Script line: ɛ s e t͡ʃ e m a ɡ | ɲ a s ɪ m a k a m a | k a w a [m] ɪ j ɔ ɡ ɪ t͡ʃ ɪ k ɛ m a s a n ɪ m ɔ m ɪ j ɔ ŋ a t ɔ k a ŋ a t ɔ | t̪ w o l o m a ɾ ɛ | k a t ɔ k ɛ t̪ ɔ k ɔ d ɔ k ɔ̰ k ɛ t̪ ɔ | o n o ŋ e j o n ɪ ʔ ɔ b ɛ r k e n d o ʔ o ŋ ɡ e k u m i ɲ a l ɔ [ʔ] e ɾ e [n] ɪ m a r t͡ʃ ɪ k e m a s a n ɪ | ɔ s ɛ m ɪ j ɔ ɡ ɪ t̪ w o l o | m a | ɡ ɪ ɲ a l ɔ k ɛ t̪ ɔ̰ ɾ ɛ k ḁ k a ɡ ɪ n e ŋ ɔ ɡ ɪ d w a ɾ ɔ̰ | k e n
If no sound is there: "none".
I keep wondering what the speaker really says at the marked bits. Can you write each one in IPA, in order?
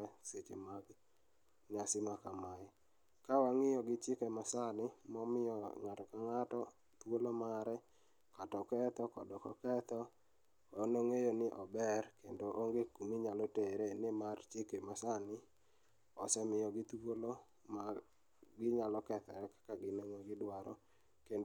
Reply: ŋ, t, n

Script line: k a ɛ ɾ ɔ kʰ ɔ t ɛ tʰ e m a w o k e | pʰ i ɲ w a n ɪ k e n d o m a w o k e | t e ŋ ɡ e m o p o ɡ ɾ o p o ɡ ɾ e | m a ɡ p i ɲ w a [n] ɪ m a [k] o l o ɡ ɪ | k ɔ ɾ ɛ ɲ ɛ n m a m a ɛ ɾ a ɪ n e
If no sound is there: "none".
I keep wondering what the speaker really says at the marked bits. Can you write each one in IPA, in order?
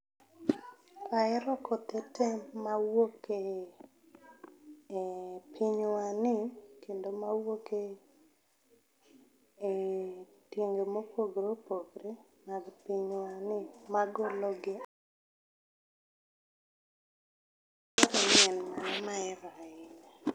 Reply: n, ɡ

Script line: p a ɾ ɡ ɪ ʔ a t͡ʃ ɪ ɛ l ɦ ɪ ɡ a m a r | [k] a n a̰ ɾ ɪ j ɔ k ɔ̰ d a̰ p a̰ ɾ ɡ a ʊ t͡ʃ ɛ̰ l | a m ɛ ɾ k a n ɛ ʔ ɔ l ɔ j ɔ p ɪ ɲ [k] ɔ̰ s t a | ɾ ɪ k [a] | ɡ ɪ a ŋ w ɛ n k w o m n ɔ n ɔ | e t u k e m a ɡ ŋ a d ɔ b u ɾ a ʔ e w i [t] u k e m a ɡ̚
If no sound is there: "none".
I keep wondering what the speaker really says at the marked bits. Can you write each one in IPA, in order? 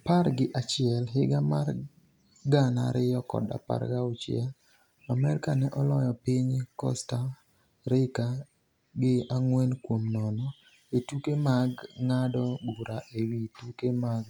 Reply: ɡ, k, a, t

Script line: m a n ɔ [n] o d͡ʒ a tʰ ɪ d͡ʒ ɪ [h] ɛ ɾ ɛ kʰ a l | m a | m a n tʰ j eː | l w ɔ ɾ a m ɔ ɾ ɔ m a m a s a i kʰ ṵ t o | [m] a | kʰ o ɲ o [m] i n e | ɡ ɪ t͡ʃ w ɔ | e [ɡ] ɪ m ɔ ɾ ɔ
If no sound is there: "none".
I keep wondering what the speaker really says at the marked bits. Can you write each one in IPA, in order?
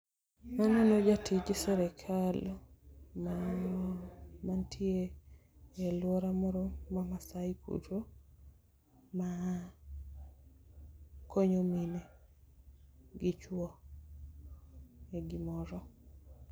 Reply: n, s, m, m, ɡ

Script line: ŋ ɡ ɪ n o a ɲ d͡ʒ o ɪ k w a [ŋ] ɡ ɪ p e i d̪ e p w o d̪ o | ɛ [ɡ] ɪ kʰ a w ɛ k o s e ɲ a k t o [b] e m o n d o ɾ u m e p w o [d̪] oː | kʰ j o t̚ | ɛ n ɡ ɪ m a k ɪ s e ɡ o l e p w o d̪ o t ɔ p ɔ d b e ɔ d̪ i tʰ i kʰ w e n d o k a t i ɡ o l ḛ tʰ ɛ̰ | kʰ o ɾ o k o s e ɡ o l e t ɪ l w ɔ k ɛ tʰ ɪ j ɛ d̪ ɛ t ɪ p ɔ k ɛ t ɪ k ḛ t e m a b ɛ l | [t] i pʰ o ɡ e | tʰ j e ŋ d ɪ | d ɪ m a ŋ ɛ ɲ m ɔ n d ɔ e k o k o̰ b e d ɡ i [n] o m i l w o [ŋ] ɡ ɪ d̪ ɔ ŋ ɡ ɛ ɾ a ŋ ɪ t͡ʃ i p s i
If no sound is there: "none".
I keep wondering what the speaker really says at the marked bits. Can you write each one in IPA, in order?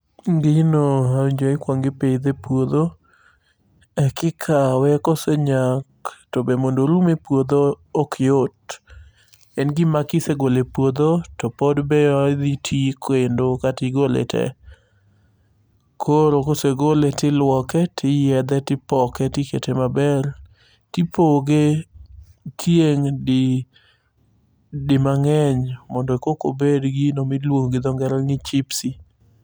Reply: ŋ, k, b, d̪, t, n, ŋ

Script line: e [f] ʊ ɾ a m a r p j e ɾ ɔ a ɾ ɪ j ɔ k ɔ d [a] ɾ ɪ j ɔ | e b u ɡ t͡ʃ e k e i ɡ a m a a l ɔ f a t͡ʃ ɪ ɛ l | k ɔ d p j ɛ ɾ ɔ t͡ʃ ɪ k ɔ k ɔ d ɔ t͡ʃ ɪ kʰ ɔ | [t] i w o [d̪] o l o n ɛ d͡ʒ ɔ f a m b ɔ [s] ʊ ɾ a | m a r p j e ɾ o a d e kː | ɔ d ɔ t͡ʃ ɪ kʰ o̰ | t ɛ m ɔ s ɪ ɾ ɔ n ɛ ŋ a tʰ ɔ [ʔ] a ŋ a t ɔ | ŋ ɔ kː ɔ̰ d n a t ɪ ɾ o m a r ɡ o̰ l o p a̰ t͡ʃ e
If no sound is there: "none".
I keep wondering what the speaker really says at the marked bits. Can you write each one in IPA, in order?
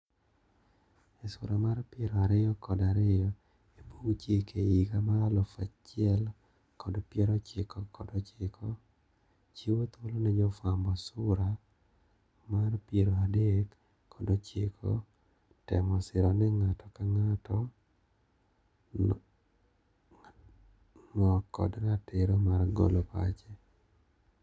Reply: s, a, t͡ʃ, t̪, s, k

